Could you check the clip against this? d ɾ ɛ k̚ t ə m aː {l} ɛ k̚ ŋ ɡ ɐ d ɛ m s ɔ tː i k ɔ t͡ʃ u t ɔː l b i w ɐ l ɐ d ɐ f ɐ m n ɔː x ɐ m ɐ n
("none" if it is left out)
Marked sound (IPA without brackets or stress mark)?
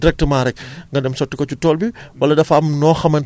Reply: ɾ